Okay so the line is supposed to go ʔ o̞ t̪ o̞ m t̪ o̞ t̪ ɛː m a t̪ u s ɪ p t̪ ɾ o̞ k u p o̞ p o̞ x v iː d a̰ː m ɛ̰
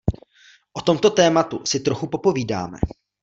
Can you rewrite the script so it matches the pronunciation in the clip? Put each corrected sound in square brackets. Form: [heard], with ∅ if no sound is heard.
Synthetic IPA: ʔ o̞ t̪ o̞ m t̪ o̞ t̪ ɛː m a t̪ u s ɪ [∅] t̪ ɾ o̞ [x] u p o̞ p o̞ [∅] v iː d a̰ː m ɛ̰

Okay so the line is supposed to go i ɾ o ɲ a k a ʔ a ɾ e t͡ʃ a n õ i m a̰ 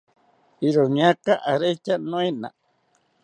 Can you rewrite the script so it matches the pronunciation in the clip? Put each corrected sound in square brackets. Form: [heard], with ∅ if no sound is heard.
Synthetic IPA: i ɾ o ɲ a k a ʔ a ɾ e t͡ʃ a n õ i [n] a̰

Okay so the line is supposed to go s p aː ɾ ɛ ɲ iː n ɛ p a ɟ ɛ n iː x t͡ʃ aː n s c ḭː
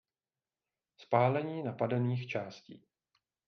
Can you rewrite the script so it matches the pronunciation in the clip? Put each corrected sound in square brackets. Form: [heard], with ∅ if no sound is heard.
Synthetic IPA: s p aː [l] ɛ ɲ iː n [a] p a [d] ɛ n iː x t͡ʃ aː [∅] s c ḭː

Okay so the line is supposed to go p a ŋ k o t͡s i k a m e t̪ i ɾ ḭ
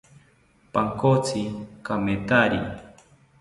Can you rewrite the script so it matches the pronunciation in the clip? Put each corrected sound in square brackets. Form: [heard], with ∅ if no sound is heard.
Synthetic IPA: p a ŋ k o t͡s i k a m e t̪ [a] ɾ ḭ

